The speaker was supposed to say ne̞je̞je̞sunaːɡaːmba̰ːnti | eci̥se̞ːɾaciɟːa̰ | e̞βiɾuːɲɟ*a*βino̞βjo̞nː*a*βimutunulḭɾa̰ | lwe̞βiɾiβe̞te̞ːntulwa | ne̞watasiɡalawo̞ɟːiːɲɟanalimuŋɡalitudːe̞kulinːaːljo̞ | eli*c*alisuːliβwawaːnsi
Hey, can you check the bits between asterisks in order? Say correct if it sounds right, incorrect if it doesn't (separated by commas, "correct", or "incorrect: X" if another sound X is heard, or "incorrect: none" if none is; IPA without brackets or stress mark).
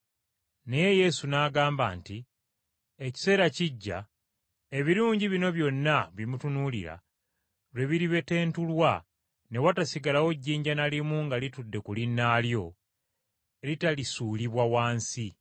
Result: incorrect: i, correct, incorrect: t